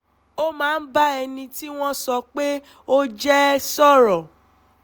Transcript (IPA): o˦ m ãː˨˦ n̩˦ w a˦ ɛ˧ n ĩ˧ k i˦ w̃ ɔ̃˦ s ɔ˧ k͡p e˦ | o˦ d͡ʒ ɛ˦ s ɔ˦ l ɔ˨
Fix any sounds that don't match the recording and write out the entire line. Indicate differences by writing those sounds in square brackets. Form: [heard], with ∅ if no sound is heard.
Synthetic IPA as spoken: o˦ m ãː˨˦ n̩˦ [b] a˦ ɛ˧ n ĩ˧ [t] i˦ w̃ ɔ̃˦ s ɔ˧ k͡p e˦ | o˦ d͡ʒ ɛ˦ s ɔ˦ [ɾ] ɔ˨